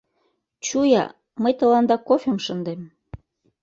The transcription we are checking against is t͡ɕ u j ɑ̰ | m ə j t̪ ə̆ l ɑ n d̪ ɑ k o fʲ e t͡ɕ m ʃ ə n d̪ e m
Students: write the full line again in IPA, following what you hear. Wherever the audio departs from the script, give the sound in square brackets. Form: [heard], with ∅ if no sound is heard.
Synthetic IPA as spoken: t͡ɕ u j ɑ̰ | m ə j t̪ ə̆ l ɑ n d̪ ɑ k o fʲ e [∅] m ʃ ə n d̪ e m